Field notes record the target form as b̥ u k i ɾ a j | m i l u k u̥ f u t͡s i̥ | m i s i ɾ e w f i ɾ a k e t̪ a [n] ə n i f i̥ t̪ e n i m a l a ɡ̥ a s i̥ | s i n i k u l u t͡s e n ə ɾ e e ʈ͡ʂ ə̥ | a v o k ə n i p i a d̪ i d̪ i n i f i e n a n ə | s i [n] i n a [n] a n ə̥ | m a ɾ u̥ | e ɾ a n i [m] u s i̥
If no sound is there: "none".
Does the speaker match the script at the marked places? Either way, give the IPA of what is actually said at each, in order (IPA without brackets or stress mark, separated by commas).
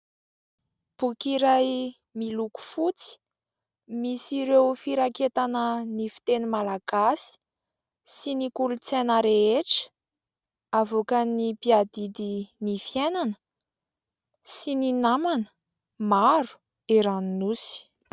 n, n, m, n